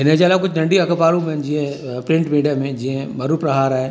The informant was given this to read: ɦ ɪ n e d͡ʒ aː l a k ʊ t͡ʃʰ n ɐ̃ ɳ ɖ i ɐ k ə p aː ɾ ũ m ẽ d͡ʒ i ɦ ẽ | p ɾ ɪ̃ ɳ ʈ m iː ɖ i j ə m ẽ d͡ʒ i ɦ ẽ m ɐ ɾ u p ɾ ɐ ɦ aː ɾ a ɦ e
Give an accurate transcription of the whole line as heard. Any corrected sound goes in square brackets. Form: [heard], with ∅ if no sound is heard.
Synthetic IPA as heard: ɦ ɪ n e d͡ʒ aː l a k ʊ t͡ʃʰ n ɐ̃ ɳ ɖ i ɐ k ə p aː ɾ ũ m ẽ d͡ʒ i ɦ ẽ | p ɾ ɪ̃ ɳ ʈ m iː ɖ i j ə m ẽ d͡ʒ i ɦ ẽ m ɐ ɾ u p ɾ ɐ ɦ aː ɾ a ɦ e